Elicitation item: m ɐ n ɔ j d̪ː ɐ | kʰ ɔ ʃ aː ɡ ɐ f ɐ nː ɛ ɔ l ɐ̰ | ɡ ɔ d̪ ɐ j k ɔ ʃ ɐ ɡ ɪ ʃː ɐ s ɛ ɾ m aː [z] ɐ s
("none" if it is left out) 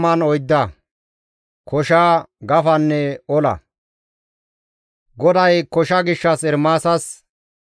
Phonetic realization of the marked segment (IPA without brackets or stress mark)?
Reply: s